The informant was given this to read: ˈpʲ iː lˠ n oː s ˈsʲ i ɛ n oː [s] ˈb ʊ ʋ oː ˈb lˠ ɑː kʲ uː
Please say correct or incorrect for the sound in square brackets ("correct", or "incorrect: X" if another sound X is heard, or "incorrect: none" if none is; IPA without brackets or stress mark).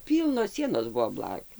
correct